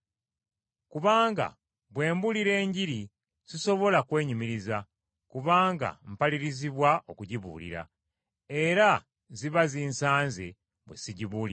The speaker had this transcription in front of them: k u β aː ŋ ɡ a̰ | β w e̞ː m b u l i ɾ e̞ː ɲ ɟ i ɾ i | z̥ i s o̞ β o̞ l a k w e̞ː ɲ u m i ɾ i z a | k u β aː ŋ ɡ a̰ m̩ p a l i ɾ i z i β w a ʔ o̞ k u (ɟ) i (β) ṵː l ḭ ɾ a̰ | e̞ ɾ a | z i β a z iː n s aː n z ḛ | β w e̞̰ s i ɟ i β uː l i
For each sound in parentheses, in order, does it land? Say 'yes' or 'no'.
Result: yes, yes

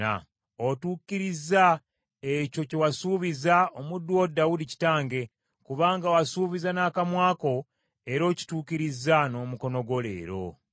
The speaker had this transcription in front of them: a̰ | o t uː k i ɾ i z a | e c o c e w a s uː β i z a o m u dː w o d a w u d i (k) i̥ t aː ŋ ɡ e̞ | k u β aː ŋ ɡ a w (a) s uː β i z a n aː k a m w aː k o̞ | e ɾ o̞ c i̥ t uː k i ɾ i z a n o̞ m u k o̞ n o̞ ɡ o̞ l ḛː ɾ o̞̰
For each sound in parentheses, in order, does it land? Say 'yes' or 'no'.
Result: no, yes

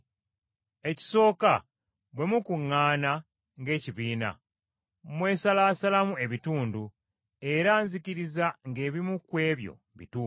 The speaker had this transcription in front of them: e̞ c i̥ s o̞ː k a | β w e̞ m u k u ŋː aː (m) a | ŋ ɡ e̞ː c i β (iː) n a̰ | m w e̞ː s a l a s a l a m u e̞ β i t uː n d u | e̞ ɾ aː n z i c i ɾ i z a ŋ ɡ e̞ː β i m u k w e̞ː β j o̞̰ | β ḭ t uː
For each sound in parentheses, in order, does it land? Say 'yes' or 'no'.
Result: no, yes

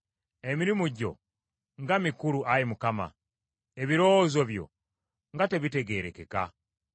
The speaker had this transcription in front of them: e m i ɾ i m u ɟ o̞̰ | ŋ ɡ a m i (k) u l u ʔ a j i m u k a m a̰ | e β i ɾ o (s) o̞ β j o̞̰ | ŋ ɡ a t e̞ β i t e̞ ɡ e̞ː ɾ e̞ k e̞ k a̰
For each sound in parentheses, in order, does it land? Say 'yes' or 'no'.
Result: yes, no

